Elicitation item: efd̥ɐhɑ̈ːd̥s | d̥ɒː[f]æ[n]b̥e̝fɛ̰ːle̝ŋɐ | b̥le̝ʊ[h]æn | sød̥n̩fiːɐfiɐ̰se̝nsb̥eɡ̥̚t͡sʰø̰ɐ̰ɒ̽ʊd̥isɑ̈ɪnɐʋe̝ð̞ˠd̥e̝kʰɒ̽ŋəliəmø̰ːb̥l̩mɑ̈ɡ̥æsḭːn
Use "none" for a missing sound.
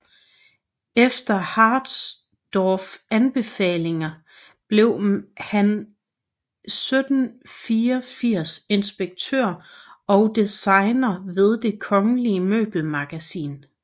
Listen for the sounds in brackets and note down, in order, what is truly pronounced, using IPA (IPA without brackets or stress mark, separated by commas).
f, n, h